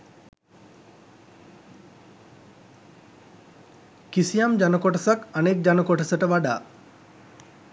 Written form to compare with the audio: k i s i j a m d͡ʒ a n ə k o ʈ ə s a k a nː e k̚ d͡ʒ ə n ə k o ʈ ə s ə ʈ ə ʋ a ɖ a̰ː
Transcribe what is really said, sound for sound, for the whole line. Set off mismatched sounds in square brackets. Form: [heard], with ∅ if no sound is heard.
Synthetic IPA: k i s i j a m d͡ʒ a n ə k o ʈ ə s a k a [n] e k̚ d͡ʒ [a] n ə k o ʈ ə s ə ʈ ə ʋ a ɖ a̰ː